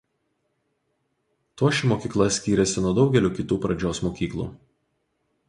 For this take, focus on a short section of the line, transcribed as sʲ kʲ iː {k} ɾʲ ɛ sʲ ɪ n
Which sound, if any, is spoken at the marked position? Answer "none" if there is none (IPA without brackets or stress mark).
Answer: none